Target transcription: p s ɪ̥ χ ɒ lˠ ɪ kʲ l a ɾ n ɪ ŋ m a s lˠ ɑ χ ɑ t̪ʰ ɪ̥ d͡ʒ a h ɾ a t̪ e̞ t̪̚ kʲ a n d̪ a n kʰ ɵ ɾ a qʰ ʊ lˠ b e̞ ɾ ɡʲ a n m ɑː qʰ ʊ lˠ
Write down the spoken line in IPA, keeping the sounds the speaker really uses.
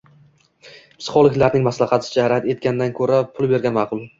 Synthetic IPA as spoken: p s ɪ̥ χ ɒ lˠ ɪ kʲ l a ɾ n ɪ ŋ m a s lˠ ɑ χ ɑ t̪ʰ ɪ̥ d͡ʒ a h ɾ a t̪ e̞ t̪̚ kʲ a n d̪ a n kʰ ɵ ɾ a pʰ ʊ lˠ b e̞ ɾ ɡʲ a n m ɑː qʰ ʊ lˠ